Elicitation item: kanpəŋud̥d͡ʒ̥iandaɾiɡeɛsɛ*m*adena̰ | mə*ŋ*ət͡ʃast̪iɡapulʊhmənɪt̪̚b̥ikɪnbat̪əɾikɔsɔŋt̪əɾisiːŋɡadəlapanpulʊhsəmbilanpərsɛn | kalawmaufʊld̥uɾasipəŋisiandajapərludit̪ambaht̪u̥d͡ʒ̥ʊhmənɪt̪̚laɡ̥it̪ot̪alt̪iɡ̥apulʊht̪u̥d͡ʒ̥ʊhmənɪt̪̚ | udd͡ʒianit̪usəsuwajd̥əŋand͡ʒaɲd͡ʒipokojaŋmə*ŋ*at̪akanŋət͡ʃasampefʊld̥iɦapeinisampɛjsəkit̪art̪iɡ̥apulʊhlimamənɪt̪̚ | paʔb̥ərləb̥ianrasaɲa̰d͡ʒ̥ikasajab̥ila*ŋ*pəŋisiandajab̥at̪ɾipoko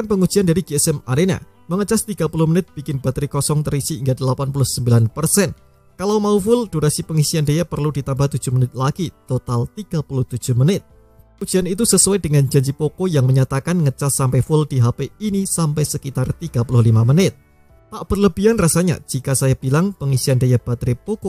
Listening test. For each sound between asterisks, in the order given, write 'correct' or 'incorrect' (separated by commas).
correct, correct, incorrect, correct